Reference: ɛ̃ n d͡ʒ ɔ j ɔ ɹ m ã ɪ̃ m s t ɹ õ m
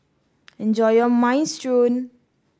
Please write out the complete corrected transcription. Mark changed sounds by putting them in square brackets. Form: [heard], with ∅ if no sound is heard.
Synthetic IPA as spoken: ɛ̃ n d͡ʒ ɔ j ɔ [∅] m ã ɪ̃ [n] s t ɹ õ [n]